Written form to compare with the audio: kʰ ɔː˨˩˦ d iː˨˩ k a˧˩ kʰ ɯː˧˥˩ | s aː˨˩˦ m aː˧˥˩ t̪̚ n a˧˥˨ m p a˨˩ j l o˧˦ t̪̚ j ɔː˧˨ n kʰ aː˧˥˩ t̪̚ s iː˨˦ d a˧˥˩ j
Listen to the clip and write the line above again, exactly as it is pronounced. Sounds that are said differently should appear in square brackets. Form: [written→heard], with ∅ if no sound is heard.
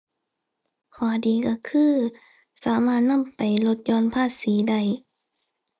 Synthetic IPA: kʰ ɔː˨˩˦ d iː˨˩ k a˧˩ kʰ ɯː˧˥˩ | s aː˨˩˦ m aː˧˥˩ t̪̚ n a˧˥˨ m p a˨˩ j l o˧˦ t̪̚ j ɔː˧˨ n [kʰ→pʰ] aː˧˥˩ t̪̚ s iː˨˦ d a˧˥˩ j